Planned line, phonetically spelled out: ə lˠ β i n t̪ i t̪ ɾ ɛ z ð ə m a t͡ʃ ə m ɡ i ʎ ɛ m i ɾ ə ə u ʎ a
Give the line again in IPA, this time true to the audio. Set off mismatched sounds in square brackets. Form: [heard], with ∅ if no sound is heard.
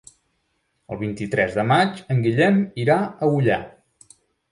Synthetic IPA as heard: ə lˠ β i n t̪ i t̪ ɾ ɛ z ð ə m a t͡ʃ ə [ŋ] ɡ i ʎ ɛ m i ɾ [a] ə u ʎ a